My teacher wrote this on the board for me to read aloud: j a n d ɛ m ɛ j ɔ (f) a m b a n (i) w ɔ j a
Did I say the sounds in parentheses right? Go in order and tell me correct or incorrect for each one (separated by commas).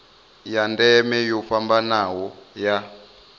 correct, incorrect